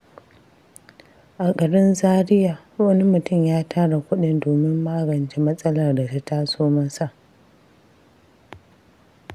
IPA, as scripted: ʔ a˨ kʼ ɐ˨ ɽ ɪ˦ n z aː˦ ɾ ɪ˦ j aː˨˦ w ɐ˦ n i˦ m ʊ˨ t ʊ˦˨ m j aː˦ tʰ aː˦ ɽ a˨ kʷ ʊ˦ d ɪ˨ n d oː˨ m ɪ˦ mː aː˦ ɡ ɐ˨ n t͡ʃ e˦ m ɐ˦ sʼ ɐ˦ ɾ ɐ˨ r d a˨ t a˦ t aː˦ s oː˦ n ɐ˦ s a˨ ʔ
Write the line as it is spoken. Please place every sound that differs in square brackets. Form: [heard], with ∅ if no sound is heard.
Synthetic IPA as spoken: ʔ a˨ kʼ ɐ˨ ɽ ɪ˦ n z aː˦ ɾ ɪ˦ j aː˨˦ w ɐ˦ n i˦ m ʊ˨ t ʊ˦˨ m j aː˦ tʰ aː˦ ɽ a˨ kʷ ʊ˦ [ɗ] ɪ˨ n d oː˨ m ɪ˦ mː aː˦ ɡ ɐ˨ n t͡ʃ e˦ m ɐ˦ sʼ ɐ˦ [l] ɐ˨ r d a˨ t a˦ t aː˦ s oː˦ [m] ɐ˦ s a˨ ʔ

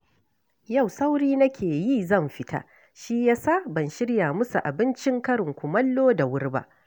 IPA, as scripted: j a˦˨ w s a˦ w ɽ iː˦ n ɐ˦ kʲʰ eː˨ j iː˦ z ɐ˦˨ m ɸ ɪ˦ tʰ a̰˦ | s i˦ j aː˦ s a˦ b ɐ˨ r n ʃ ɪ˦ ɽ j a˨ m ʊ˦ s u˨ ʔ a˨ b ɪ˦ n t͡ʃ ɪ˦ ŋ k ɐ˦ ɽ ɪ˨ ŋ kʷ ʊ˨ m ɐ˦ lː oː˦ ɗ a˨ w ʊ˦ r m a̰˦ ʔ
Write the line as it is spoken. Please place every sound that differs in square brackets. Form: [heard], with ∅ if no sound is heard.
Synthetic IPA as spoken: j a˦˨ w s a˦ w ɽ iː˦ n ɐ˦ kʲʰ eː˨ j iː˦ z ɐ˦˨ m ɸ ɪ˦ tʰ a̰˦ | [ʃ] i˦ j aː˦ s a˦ b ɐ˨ [∅] n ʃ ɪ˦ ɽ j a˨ m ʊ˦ s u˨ ʔ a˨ b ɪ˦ n t͡ʃ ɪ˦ ŋ k ɐ˦ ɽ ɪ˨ ŋ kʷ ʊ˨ m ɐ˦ lː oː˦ [d] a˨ w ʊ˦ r [b] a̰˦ ʔ

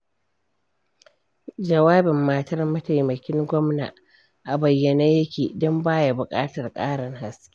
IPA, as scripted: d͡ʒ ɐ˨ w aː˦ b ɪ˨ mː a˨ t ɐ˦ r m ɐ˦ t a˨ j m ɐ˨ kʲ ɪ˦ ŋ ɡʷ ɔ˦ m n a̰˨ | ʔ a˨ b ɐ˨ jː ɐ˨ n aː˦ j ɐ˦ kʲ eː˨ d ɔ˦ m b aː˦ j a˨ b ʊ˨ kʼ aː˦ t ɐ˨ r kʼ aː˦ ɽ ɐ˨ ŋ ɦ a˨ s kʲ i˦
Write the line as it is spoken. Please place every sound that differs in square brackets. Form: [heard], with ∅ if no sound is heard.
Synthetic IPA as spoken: d͡ʒ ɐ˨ w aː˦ b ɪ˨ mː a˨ t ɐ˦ r m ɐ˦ t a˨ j m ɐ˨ kʲ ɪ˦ ŋ ɡʷ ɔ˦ m n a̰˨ | ʔ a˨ b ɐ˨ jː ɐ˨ n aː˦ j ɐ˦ kʲ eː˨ d ɔ˦ m b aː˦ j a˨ b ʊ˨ kʼ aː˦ t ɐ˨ r kʼ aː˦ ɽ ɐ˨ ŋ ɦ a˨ s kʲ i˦

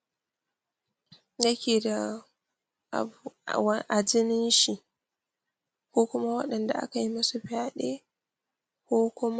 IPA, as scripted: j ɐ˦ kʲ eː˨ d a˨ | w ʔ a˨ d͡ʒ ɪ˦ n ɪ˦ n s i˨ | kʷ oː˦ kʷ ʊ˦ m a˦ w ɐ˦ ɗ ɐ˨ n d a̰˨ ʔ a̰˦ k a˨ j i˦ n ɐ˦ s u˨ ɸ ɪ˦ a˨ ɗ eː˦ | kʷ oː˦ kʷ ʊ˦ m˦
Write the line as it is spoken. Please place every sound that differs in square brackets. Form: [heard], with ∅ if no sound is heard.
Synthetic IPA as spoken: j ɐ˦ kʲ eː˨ d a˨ | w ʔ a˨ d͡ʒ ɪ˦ n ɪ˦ n [ʃ] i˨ | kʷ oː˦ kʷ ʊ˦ m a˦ w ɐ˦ ɗ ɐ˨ n d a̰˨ ʔ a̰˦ k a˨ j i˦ [m] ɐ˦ s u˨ ɸ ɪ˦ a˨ ɗ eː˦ | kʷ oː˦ kʷ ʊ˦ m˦

